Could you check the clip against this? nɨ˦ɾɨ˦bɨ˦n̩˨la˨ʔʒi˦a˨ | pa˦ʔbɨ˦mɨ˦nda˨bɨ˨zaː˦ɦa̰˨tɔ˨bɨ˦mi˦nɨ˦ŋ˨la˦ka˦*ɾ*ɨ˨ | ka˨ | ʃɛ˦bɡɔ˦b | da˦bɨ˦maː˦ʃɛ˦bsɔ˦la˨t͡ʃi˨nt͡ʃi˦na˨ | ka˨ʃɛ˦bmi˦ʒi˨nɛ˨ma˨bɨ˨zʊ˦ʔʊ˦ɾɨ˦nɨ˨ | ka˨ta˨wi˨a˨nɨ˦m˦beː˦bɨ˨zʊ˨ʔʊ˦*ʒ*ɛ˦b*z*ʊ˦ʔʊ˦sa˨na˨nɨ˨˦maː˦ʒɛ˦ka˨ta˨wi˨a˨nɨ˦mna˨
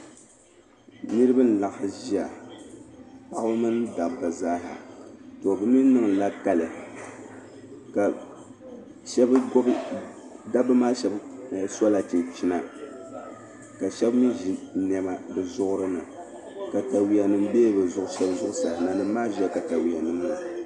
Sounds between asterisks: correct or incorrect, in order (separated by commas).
incorrect, incorrect, correct